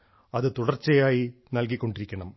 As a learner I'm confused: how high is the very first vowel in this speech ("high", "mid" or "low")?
low